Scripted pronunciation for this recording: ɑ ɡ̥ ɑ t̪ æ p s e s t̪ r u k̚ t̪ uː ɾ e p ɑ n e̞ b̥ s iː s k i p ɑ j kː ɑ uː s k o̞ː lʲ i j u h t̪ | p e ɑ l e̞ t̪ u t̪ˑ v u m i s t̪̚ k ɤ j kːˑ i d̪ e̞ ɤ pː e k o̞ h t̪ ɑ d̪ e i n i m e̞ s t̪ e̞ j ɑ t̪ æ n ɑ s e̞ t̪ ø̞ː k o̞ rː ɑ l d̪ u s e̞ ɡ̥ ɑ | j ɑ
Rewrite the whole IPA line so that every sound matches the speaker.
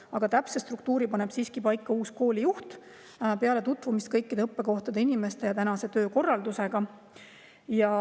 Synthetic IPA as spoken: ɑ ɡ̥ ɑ t̪ æ p s e s t̪ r u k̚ t̪ uː ɾ i p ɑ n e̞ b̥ s iː s k i p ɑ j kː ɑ uː s k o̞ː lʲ i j u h t̪ | p e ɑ l e̞ t̪ u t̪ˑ v u m i s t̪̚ k ɤ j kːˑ i d̪ e̞ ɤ pː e k o̞ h t̪ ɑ d̪ e i n i m e̞ s t̪ e̞ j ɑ t̪ æ n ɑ s e̞ t̪ ø̞ː k o̞ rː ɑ l d̪ u s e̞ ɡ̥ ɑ | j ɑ